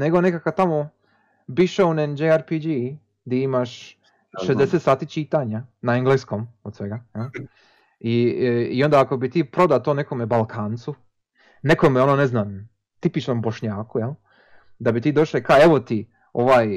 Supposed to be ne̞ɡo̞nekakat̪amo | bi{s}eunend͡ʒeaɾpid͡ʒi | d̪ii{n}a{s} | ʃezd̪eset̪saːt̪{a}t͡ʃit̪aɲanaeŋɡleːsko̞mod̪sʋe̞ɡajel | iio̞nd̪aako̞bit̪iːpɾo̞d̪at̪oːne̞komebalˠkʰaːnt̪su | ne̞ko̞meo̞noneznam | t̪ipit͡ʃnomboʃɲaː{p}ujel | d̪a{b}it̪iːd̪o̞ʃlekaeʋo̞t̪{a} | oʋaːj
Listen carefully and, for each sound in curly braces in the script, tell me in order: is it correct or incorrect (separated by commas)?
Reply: incorrect, incorrect, incorrect, incorrect, incorrect, correct, incorrect